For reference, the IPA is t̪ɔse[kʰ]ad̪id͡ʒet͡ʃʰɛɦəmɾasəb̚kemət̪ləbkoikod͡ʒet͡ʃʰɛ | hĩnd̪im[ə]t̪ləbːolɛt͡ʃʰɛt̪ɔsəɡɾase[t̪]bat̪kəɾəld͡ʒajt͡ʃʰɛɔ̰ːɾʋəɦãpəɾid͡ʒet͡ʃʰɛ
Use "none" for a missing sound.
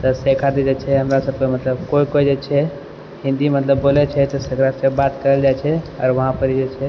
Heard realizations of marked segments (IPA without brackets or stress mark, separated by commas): kʰ, ə, none